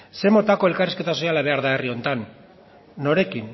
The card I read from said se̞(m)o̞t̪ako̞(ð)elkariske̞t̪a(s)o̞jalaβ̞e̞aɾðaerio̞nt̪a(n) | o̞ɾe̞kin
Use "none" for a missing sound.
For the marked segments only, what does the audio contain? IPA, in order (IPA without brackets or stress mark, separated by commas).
m, none, s, nː